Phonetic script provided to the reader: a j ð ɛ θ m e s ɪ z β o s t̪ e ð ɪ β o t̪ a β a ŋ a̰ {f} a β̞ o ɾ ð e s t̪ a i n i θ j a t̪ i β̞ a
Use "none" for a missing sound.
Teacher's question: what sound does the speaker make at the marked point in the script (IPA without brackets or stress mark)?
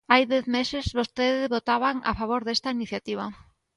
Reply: f